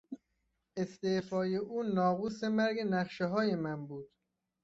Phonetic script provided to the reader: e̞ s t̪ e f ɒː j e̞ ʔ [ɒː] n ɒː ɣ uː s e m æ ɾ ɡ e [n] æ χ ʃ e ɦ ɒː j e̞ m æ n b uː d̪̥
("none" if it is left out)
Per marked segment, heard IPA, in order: uː, n

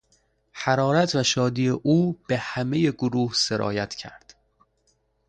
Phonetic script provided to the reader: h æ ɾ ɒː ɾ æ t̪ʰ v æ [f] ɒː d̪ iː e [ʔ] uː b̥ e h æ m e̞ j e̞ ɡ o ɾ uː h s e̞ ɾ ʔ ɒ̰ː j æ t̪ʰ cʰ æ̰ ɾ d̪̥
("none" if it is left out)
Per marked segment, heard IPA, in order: ʃ, ʔ

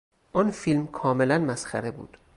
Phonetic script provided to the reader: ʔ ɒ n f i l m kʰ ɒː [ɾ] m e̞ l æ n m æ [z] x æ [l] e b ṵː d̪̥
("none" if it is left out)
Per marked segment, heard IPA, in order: none, s, ɾ

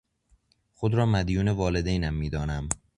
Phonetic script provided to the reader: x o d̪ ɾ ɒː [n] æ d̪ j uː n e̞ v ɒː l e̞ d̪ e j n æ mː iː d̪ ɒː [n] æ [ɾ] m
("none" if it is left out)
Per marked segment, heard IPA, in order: m, n, none

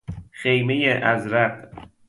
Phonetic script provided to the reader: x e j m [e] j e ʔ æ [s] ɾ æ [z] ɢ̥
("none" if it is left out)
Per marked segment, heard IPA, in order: e, z, none

